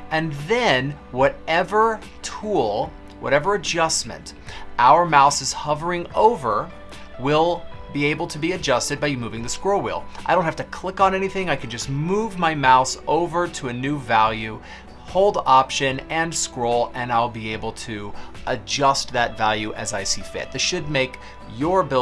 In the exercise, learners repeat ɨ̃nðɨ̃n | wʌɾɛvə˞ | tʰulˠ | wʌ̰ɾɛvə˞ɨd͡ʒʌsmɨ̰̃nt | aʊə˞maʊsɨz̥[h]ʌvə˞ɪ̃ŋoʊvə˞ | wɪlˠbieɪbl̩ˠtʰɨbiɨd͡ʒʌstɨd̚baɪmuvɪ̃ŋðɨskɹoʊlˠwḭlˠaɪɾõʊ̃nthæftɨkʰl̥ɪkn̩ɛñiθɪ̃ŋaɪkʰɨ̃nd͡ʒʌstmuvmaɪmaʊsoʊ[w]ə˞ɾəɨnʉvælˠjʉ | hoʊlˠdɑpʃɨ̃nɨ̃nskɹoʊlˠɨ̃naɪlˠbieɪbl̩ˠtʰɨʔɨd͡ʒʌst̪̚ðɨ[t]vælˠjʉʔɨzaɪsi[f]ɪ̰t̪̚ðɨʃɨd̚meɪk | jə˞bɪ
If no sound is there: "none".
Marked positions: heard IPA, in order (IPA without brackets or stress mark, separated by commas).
h, v, t, f